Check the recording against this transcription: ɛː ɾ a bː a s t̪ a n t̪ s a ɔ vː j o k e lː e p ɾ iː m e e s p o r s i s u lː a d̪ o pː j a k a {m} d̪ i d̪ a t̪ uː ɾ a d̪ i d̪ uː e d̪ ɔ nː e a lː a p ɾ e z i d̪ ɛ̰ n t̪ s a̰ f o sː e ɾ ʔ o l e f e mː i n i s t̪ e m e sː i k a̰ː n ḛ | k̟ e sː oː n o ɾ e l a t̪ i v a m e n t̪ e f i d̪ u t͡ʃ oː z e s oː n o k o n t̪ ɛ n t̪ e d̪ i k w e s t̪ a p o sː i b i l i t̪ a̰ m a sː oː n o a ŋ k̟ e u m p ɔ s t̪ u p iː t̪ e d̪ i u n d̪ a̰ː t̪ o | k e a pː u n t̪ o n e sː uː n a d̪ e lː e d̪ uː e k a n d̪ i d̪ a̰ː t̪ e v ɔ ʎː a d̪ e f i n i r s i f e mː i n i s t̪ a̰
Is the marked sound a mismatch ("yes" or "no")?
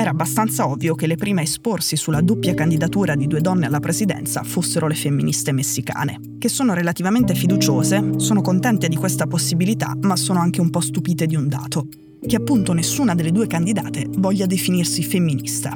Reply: yes